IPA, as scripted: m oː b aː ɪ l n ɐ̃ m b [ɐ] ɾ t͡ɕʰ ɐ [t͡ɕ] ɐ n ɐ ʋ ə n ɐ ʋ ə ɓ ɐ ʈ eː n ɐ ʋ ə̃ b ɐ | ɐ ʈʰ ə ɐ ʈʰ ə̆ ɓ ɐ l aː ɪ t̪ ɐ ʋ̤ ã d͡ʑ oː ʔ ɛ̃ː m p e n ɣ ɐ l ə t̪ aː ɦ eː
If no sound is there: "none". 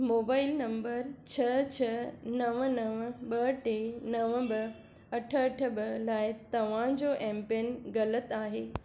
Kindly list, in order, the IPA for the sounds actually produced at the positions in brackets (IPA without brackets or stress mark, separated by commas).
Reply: ə, t͡ɕʰ